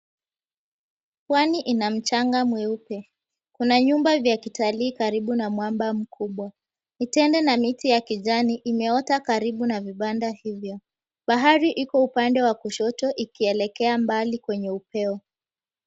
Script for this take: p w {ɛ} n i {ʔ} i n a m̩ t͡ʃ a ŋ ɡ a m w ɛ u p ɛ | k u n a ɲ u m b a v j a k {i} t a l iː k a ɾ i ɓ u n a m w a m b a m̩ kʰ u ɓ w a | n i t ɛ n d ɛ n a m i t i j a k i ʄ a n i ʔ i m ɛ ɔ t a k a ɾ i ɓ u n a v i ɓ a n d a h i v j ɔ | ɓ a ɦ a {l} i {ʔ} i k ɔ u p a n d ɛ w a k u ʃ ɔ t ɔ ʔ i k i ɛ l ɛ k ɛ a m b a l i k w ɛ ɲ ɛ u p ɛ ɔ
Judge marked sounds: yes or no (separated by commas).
no, yes, yes, no, yes